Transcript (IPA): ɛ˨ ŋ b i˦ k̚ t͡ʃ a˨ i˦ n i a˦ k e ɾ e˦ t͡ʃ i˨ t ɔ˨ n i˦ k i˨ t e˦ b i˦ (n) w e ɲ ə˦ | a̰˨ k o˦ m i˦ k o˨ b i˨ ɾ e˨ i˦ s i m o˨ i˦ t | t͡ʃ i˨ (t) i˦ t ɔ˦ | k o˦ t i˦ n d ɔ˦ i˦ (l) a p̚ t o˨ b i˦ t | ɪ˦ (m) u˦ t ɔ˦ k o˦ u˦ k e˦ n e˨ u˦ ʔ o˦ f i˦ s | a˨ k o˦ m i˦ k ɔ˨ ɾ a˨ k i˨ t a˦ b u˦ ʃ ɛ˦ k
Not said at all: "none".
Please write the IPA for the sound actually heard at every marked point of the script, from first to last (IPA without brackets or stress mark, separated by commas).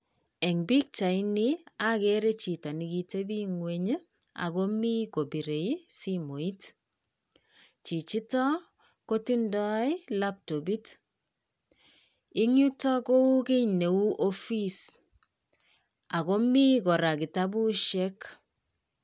ŋ, t͡ʃ, l, ŋ